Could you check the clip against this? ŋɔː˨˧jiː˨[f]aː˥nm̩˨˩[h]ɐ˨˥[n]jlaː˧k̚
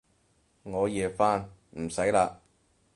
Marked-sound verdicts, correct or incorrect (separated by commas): correct, incorrect, incorrect